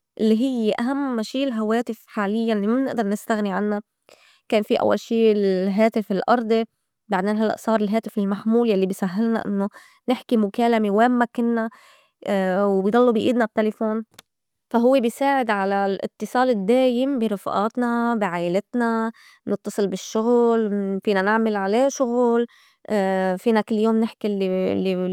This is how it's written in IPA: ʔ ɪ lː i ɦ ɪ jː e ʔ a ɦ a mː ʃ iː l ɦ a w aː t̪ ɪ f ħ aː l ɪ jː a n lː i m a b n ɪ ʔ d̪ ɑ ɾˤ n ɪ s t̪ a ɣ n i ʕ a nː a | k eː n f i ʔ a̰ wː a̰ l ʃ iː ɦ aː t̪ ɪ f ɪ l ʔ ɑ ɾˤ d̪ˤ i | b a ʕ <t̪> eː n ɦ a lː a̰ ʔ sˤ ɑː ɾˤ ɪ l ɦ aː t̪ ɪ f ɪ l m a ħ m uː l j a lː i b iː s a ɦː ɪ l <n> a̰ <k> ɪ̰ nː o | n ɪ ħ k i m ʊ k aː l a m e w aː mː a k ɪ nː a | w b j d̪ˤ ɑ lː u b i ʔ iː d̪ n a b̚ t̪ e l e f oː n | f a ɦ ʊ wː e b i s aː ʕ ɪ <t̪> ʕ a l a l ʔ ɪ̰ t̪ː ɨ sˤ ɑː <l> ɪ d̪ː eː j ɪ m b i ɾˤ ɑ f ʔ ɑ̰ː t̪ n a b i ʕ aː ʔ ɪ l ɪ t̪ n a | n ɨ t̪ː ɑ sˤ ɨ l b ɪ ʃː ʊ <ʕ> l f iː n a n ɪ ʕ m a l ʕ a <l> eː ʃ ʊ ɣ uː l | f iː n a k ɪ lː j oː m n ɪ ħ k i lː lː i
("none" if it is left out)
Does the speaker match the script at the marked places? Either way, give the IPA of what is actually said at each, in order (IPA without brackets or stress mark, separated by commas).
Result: d̪, n, ʔ, d̪, l, ɣ, l